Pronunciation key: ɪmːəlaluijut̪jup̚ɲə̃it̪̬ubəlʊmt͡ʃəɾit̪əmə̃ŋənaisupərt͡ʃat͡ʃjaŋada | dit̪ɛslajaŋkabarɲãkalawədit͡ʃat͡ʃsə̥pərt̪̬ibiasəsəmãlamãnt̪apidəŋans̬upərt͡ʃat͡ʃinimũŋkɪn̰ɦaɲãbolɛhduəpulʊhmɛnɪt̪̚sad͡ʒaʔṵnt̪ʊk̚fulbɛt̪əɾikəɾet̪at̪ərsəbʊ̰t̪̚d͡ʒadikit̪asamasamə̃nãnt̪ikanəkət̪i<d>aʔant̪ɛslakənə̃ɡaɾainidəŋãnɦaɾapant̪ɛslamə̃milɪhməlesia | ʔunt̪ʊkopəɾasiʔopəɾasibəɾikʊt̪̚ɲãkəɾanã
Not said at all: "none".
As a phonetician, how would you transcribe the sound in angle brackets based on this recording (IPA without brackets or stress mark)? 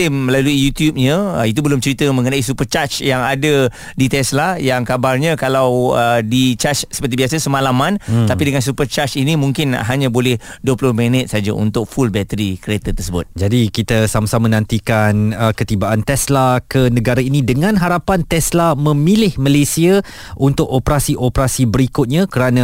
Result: b